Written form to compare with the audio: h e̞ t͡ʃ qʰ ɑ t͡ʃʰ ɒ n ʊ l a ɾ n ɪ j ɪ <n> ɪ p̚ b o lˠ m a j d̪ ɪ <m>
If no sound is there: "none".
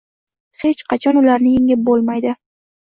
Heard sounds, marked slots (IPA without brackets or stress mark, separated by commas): ŋ, none